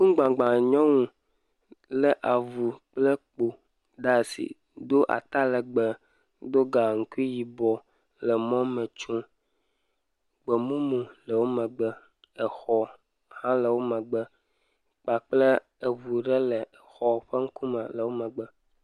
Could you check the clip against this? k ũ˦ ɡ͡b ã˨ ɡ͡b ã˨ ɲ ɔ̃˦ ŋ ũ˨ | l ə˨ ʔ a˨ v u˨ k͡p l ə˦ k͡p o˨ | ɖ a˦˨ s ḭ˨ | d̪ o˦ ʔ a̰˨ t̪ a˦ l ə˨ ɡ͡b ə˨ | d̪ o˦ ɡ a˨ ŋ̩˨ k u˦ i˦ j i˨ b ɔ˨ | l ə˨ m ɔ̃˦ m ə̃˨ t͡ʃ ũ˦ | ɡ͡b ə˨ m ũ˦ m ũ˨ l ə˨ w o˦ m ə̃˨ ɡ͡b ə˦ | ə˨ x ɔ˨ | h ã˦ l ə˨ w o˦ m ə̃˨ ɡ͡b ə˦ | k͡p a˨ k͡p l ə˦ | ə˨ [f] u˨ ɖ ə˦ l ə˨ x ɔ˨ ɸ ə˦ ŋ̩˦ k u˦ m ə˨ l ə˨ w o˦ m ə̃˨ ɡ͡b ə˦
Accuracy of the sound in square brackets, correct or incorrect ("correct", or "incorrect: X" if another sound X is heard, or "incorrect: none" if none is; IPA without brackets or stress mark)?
incorrect: v